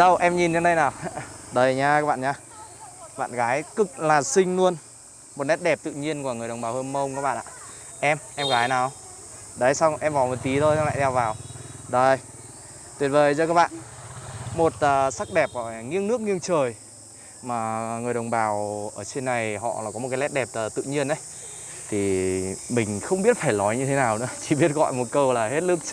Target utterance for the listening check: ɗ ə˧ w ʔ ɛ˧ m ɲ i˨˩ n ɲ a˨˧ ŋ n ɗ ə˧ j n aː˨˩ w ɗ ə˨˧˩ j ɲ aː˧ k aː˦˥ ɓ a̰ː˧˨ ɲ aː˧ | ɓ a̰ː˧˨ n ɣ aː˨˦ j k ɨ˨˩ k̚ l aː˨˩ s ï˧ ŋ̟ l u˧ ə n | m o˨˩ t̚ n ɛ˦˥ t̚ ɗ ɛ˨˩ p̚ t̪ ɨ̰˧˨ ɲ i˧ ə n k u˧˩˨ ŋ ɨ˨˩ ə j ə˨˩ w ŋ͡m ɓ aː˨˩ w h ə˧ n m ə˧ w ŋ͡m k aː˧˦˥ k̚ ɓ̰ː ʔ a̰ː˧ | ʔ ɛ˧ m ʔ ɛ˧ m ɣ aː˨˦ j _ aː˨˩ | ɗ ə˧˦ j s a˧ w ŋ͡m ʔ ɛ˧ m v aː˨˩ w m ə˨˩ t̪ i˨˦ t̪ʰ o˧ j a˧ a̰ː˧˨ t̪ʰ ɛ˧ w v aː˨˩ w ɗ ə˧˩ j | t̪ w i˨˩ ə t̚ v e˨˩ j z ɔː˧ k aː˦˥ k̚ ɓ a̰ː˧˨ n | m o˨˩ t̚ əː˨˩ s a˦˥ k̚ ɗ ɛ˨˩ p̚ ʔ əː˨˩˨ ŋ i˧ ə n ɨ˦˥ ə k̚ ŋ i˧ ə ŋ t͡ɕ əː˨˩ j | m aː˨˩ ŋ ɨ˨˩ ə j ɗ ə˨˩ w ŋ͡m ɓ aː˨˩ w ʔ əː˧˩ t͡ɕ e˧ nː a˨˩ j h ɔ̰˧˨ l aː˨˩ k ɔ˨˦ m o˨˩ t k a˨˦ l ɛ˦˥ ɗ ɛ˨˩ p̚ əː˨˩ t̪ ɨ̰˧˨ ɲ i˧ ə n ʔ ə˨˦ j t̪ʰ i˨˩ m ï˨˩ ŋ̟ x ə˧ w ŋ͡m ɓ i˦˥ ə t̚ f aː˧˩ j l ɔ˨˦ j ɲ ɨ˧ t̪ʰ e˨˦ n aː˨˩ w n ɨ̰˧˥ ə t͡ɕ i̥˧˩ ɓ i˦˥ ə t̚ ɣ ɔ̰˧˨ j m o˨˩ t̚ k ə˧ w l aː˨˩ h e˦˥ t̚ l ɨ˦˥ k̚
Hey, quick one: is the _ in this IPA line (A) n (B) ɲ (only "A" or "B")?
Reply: A